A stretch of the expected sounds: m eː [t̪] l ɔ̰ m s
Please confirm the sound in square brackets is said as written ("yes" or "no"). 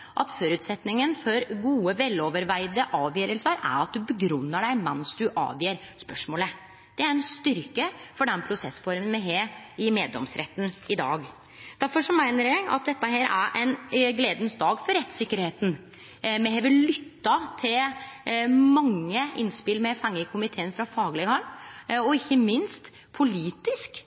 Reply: no